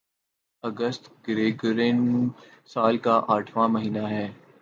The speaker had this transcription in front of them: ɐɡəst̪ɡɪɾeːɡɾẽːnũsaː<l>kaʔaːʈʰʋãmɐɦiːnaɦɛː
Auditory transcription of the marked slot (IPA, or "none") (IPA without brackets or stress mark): l